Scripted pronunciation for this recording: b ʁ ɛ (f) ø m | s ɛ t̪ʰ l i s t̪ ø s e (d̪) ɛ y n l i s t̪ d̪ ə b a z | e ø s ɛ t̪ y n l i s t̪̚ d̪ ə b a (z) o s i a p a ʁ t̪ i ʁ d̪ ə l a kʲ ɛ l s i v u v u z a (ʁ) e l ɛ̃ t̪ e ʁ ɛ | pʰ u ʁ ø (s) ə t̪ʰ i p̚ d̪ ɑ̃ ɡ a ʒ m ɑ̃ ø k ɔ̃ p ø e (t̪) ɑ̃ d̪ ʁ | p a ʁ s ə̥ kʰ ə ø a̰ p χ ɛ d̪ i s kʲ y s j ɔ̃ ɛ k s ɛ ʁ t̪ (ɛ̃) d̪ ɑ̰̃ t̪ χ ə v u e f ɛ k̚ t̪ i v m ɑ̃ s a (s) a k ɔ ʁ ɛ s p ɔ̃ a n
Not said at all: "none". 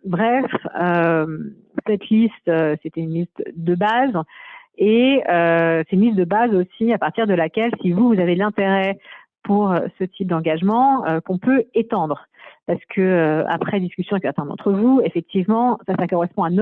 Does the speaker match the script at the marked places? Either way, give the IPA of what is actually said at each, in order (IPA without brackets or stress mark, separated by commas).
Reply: f, t̪, z, v, s, t̪, ɛ̃, s